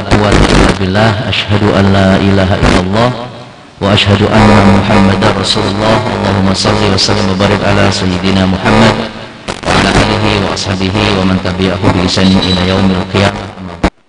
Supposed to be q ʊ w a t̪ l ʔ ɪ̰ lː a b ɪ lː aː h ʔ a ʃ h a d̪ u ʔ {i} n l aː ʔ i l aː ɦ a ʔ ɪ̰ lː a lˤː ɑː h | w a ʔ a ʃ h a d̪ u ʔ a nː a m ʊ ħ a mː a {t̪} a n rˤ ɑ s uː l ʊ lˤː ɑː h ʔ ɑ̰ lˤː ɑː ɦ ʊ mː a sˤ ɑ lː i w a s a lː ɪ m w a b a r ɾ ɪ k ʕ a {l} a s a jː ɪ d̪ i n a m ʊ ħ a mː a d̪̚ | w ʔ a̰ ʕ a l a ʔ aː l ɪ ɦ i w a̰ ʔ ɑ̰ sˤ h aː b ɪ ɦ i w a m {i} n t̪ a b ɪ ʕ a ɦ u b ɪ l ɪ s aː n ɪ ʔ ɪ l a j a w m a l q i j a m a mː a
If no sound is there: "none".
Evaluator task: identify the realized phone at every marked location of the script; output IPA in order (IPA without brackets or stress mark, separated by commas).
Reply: a, d̪, l, a